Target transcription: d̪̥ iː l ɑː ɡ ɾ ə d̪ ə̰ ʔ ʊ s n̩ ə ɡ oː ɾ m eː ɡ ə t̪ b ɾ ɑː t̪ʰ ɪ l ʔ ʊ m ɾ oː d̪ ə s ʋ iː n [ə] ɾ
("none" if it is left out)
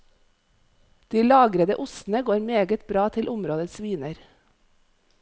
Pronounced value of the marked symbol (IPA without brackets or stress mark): ə